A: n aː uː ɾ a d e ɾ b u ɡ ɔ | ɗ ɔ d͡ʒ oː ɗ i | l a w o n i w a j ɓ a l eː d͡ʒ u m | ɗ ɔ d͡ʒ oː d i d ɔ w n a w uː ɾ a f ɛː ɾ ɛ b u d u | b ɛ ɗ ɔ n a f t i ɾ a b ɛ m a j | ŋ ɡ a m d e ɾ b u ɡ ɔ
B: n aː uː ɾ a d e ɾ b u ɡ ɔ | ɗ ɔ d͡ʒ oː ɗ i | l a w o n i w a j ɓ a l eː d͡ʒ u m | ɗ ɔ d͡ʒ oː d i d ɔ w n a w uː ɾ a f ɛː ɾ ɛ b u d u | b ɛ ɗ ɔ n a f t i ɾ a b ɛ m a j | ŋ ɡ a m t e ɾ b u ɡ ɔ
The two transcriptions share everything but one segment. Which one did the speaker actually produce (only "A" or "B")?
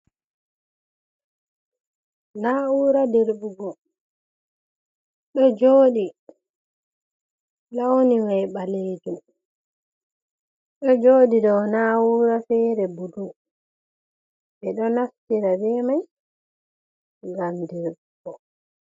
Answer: A